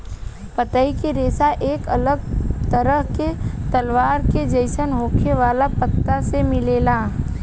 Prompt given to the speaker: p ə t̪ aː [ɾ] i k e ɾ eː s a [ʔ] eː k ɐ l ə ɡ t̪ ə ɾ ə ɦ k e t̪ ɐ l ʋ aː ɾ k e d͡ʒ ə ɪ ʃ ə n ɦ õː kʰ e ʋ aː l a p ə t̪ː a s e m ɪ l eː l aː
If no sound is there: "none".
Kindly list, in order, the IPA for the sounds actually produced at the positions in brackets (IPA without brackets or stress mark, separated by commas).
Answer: none, ʔ